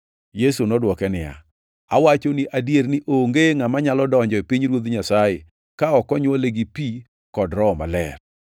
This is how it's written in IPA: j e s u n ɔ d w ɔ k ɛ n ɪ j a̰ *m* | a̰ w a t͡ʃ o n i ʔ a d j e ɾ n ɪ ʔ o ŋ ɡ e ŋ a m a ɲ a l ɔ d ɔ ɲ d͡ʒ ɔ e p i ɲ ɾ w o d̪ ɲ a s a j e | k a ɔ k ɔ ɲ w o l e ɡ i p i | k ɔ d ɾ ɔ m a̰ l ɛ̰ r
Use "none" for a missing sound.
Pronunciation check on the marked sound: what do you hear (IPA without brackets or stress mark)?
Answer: none